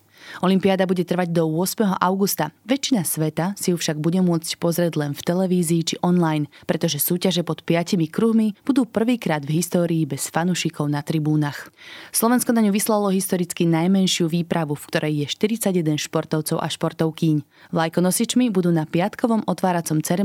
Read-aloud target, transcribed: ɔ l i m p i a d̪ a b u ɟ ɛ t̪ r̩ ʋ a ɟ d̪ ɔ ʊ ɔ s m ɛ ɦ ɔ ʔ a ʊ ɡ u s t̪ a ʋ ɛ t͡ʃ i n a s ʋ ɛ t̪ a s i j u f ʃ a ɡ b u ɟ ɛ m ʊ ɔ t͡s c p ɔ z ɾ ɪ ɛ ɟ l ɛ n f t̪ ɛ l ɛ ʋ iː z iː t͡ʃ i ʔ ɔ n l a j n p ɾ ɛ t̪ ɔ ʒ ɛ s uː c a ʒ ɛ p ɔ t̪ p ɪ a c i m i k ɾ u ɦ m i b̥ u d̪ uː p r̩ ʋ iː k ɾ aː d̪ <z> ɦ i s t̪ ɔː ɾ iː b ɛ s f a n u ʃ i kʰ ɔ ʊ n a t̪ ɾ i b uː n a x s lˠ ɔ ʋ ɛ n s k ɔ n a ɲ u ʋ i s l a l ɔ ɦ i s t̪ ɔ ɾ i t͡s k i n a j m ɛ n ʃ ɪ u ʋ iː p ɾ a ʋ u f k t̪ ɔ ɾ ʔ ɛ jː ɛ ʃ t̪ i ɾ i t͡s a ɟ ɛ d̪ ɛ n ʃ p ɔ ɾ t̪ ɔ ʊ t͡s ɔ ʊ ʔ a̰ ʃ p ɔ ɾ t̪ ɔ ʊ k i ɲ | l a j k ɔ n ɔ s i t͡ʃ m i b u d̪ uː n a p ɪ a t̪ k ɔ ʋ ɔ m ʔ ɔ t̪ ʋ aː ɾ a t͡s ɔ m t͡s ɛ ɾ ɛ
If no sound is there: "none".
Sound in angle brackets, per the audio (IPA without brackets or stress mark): v